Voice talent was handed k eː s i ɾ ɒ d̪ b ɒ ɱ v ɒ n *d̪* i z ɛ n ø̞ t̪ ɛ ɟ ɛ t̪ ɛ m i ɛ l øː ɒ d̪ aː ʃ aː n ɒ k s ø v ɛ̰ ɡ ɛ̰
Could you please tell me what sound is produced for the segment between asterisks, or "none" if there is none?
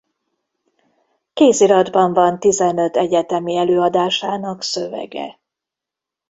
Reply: t̪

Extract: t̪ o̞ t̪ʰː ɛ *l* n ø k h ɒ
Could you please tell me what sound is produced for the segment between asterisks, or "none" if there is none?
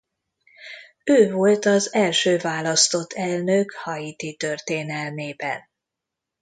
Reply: l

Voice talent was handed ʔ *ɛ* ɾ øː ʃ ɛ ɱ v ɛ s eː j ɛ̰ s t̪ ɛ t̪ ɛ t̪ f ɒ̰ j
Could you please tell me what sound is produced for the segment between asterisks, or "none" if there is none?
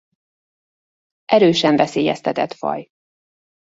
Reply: ɛ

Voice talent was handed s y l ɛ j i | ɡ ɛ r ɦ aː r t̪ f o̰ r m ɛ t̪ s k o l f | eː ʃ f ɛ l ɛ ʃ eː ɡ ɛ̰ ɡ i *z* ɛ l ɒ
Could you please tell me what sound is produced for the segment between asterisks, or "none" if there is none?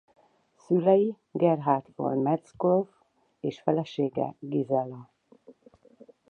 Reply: z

